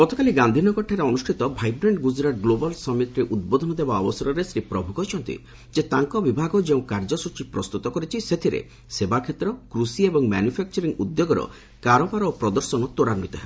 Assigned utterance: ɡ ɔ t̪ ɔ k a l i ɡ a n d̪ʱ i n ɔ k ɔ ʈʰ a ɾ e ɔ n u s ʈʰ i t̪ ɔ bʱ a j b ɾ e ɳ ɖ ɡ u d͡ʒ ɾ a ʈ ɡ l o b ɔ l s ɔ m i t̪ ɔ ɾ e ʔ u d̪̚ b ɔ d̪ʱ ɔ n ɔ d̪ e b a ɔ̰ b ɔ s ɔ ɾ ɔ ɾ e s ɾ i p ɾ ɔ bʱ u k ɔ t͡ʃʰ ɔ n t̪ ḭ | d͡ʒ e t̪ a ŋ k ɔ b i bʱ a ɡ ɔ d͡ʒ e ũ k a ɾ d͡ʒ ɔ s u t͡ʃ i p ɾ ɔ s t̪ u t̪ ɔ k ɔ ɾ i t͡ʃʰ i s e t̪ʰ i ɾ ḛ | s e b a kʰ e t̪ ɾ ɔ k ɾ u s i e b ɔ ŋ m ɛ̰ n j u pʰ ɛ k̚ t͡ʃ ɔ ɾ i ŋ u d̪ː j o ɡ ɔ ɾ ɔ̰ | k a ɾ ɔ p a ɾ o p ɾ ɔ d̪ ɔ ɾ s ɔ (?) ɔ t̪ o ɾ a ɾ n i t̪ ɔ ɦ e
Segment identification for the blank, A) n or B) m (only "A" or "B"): A